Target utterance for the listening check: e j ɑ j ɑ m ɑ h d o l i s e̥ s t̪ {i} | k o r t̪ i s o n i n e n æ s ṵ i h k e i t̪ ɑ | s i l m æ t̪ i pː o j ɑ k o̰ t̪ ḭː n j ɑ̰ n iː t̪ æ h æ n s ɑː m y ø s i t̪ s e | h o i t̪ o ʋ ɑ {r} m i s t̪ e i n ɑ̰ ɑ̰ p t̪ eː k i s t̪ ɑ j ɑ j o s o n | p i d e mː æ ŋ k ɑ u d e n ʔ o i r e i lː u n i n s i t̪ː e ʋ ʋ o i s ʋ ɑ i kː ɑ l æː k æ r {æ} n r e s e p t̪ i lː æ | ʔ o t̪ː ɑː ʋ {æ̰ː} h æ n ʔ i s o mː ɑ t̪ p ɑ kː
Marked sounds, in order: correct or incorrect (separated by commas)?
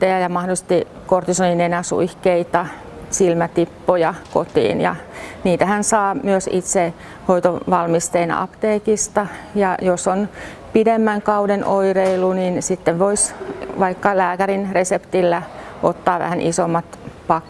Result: correct, incorrect, incorrect, incorrect